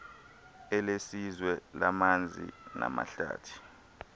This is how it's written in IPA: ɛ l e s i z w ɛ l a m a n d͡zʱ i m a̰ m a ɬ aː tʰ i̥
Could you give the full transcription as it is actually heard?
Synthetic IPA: ɛ l e s i z w ɛ l a m a n d͡zʱ i n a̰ m a ɬ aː tʰ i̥